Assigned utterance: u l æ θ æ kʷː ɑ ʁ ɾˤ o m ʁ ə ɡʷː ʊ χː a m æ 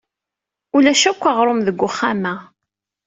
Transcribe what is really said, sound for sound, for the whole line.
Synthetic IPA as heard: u l æ ʃ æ kʷː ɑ ʁ ɾˤ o m ð ə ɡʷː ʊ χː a m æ